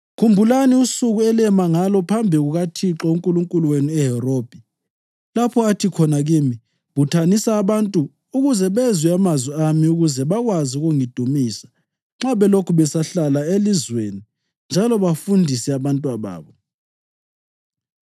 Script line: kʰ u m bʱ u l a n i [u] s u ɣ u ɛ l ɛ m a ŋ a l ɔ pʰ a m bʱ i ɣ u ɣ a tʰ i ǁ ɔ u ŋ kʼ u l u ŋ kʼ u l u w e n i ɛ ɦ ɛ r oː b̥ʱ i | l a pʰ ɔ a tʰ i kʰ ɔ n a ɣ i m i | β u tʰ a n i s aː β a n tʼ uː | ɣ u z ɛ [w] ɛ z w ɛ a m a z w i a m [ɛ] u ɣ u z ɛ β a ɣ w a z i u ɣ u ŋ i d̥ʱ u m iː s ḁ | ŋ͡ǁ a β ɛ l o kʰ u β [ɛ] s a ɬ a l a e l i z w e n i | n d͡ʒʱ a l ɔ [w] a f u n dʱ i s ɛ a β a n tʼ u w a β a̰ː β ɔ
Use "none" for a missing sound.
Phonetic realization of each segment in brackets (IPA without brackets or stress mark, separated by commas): u, β, i, ɛ, β